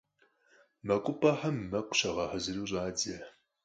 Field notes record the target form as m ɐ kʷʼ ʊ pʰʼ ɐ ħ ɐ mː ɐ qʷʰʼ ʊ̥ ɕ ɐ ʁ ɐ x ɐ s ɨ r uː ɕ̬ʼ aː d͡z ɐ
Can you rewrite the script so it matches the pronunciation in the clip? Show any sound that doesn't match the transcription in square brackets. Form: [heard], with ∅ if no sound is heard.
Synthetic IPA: m ɐ kʷʼ ʊ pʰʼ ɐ ħ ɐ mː ɐ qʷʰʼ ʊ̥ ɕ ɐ ʁ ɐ [ħ] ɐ [z] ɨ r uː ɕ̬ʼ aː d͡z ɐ